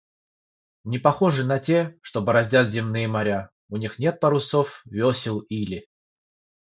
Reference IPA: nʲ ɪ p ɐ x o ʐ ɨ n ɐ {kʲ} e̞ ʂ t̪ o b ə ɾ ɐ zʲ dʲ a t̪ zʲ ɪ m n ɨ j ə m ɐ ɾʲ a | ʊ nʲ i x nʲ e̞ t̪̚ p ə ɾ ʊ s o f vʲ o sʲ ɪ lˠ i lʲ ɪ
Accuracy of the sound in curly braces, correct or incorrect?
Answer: incorrect